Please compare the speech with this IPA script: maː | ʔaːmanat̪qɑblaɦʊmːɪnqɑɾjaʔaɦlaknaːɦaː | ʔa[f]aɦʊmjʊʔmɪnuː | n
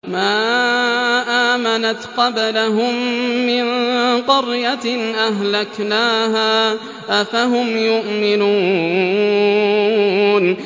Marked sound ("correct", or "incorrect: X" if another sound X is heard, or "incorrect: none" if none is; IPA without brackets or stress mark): correct